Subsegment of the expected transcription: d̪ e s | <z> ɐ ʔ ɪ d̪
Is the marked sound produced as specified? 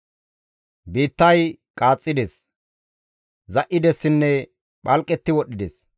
yes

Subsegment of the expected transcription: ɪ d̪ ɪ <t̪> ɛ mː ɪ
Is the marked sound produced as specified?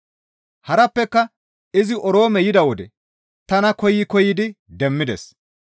no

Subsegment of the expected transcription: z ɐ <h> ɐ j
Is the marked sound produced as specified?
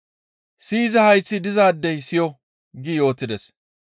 yes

